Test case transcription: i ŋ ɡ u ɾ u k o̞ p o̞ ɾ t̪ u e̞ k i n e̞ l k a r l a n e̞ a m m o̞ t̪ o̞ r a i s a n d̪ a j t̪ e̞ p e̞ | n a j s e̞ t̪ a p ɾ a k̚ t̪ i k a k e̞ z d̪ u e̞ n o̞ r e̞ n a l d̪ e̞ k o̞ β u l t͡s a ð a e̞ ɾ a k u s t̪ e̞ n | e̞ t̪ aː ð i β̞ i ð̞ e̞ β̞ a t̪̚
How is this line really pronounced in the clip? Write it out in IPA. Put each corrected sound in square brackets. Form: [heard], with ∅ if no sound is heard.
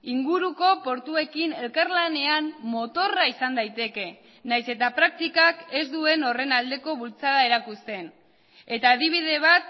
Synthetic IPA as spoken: i ŋ ɡ u ɾ u k o̞ p o̞ ɾ t̪ u e̞ k i n e̞ l k a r l a n e̞ a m m o̞ t̪ o̞ r a i s a n d̪ a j t̪ e̞ [k] e̞ | n a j s e̞ t̪ a p ɾ a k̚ t̪ i k a k e̞ z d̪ u e̞ n o̞ r e̞ n a l d̪ e̞ k o̞ β u l t͡s a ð a e̞ ɾ a k u s t̪ e̞ n | e̞ t̪ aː ð i β̞ i ð̞ e̞ β̞ a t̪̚